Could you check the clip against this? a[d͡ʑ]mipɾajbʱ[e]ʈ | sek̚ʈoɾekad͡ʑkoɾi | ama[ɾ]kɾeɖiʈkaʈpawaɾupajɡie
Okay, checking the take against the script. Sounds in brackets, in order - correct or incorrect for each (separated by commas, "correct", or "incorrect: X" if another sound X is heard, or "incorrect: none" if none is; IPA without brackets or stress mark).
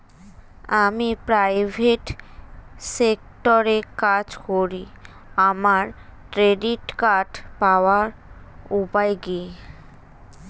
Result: incorrect: none, correct, correct